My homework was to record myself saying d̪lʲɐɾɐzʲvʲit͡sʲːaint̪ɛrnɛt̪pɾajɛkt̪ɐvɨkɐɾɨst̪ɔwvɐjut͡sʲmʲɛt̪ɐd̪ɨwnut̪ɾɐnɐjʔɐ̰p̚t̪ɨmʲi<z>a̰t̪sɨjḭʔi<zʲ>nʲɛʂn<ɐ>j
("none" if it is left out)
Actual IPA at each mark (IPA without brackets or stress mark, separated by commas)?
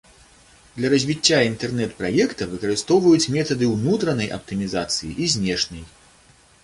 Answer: z, zʲ, ɐ